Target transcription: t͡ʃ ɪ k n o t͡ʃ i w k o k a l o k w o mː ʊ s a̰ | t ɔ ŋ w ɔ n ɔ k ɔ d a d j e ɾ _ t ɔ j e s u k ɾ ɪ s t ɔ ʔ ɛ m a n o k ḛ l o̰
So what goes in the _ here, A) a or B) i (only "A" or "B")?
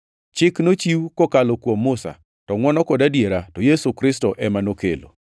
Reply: A